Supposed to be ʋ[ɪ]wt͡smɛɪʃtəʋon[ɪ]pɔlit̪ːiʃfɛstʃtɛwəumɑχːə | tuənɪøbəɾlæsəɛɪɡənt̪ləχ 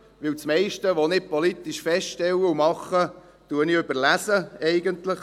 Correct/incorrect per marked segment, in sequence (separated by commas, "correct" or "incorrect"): correct, correct